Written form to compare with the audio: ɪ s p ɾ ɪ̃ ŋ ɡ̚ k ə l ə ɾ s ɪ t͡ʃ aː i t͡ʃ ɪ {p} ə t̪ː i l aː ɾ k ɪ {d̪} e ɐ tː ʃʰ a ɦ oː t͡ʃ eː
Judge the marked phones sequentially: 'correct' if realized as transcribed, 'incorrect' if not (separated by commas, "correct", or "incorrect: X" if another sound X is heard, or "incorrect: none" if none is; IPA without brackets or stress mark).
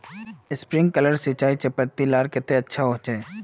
correct, incorrect: t̪